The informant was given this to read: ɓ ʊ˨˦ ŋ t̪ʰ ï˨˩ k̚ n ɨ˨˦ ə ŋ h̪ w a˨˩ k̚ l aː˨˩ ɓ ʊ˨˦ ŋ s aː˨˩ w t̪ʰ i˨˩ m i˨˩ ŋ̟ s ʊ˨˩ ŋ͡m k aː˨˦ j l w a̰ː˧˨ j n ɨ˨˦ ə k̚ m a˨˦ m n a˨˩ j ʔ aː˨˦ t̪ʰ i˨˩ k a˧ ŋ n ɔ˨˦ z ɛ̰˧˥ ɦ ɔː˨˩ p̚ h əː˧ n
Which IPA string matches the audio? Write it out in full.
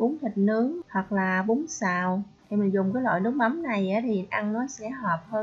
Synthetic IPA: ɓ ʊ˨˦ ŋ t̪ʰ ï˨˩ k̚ n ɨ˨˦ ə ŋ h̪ w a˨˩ k̚ l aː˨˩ ɓ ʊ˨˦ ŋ s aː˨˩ w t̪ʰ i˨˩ m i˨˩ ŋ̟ z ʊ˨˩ ŋ͡m k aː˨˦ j l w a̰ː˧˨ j n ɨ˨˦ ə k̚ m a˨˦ m n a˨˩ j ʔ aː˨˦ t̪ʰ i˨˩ ʔ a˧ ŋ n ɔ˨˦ s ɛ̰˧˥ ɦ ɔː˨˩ p̚ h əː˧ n